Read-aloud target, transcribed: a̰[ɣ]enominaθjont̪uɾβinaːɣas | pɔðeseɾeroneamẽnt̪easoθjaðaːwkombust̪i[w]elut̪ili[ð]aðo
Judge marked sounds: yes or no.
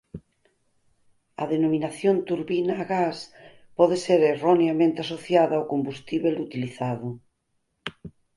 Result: no, no, no

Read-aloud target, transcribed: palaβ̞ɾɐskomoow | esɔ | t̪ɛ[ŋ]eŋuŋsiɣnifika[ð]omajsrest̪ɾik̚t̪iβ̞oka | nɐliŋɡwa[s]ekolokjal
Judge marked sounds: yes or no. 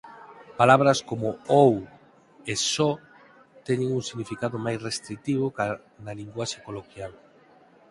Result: no, yes, no

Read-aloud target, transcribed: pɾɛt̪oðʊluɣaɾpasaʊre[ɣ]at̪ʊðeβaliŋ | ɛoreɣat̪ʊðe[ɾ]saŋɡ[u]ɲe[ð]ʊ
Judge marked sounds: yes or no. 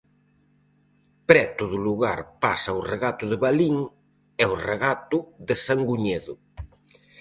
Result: yes, no, yes, yes

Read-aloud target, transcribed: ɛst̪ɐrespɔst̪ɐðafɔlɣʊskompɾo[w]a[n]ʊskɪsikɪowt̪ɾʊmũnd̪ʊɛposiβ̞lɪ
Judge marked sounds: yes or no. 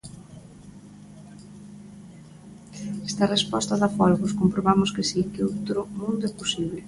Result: no, no

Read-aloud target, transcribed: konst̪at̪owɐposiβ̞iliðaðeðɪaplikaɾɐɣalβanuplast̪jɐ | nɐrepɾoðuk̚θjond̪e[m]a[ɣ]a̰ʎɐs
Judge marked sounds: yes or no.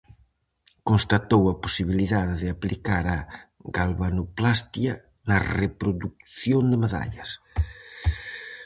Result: yes, no

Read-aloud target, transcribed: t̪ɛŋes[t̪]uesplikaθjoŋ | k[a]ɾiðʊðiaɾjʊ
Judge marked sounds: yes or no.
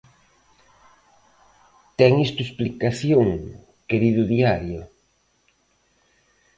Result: yes, no

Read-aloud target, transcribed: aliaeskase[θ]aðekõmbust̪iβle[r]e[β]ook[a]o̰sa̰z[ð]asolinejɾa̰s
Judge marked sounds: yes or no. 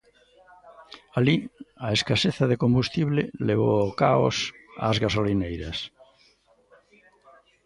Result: yes, no, yes, yes, no

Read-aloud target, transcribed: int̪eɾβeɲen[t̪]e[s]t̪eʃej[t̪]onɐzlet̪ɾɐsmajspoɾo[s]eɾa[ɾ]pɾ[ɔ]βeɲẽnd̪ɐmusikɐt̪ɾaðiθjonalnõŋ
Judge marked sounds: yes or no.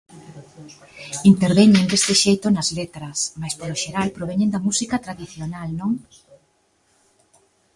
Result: no, yes, yes, no, no, no

